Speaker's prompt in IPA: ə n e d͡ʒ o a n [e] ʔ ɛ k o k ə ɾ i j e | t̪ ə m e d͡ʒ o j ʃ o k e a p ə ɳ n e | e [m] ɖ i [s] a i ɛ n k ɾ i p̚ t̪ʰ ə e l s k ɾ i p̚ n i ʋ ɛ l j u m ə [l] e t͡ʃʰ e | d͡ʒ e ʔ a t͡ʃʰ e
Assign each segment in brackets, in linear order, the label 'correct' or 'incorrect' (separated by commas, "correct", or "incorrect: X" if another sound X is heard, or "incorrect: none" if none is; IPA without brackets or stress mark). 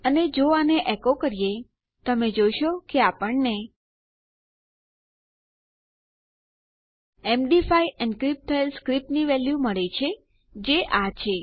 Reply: correct, correct, incorrect: f, incorrect: ɭ